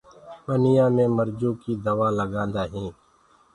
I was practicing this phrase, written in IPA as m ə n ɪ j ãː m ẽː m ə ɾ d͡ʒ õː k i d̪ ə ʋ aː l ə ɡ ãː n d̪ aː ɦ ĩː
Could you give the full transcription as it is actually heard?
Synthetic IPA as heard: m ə n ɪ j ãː m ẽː m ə ɾ d͡ʒ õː k i d̪ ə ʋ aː l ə ɡ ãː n d̪ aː ɦ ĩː